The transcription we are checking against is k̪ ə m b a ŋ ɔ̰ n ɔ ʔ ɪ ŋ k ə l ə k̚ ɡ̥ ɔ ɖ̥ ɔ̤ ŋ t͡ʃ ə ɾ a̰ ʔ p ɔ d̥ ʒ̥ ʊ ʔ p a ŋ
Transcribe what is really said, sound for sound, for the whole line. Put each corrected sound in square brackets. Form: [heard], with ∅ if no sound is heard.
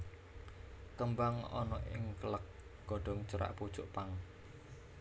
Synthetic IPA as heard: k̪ ə m b a ŋ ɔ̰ n ɔ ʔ ɪ ŋ k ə l ə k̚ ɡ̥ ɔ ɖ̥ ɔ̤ ŋ t͡ʃ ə ɾ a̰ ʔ p [u] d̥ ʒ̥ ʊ ʔ p a ŋ